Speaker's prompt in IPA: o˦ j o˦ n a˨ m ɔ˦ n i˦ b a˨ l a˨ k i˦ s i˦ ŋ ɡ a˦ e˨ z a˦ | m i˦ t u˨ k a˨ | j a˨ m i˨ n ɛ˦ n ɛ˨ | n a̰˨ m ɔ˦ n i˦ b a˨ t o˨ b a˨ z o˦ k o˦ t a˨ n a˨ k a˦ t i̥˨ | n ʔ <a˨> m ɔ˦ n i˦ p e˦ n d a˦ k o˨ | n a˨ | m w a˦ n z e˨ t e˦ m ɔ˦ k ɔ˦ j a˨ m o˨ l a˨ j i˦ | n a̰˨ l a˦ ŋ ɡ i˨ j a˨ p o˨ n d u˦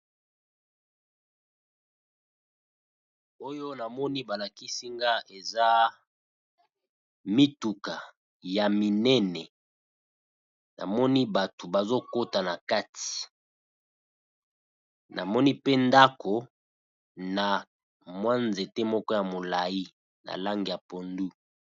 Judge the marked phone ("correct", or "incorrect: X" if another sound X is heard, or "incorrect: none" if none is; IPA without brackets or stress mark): correct